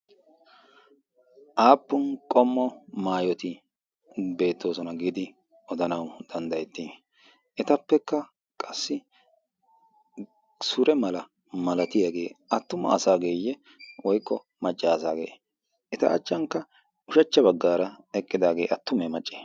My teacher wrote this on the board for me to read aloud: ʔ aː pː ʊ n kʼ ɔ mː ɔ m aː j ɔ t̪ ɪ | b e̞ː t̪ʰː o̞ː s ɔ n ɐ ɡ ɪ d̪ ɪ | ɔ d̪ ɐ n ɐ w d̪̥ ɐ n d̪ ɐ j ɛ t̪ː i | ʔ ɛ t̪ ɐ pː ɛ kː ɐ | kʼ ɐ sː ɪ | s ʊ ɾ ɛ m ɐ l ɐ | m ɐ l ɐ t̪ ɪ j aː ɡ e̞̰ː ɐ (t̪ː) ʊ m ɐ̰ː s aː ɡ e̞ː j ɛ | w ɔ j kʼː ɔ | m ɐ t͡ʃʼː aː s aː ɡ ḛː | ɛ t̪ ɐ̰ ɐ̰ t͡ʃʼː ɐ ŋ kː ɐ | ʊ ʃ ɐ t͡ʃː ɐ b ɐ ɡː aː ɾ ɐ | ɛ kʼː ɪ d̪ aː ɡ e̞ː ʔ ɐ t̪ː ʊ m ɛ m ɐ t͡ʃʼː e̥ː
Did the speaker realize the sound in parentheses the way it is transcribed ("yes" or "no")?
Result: yes